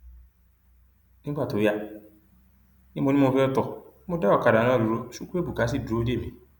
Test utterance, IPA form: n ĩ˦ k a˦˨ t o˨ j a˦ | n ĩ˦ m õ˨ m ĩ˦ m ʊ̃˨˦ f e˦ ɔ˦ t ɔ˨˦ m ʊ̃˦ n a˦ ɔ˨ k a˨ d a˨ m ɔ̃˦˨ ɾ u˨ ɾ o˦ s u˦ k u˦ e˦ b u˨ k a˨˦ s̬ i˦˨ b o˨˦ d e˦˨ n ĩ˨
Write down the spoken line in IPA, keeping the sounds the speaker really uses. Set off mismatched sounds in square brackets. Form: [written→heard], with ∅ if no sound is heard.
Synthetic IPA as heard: n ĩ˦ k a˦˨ t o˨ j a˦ | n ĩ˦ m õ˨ [m→n] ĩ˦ m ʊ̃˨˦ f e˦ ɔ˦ t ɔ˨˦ m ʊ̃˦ [n→d] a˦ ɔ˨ k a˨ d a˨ [m→n] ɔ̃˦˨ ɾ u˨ ɾ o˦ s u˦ k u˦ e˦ b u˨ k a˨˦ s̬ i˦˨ [b→d] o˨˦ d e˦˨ [n→m] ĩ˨